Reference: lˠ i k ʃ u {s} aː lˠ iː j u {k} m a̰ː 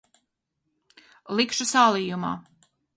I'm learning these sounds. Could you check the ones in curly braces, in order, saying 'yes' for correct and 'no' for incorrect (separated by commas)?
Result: yes, no